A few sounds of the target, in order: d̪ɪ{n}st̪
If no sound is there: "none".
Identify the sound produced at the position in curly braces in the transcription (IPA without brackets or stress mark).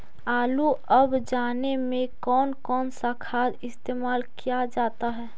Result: none